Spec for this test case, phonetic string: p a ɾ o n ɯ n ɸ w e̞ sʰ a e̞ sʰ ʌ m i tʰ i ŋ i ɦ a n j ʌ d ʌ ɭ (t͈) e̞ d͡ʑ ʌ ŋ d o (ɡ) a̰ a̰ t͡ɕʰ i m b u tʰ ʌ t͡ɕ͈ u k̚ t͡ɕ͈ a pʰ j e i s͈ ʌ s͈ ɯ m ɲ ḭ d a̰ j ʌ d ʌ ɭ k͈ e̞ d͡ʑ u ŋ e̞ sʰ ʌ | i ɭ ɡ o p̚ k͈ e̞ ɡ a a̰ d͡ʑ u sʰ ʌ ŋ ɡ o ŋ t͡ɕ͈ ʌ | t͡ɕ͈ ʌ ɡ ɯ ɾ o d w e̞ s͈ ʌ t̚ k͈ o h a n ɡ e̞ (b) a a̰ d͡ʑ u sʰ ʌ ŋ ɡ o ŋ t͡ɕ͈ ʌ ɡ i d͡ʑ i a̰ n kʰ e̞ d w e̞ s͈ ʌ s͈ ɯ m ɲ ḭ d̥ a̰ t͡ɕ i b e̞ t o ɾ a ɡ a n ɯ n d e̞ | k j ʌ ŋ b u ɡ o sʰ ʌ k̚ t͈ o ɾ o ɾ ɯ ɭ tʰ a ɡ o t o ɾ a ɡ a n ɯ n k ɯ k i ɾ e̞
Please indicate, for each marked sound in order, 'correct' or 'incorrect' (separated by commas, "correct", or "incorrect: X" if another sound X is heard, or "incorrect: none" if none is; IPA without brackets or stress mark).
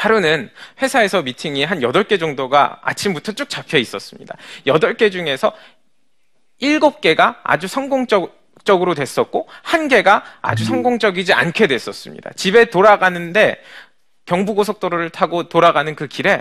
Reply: incorrect: k͈, correct, incorrect: ɡ